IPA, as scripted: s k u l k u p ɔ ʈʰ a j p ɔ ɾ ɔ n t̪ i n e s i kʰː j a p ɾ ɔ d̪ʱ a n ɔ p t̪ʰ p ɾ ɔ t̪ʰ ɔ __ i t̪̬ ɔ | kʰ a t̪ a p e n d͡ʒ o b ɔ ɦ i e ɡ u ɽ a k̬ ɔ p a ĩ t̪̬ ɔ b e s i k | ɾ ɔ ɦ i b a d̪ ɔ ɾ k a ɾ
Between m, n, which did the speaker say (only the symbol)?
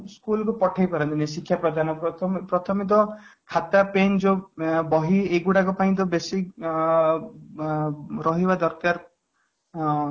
m